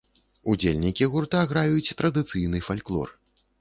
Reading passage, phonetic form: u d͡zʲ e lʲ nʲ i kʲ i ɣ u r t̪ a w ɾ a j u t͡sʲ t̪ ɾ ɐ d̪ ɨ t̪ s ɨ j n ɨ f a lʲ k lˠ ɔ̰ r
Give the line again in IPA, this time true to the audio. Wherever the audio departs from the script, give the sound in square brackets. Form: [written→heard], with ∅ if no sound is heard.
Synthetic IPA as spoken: u d͡zʲ e lʲ nʲ i kʲ i ɣ u r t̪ a [w→ɣ] ɾ a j u t͡sʲ t̪ ɾ ɐ d̪ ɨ t̪ s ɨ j n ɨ f a lʲ k lˠ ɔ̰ r